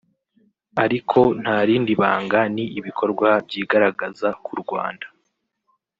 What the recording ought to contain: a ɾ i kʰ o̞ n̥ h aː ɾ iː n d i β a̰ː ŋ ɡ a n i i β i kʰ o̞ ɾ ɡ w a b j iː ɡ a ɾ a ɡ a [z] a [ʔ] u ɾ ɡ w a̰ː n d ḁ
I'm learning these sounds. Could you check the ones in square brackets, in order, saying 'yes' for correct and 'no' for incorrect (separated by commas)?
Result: yes, no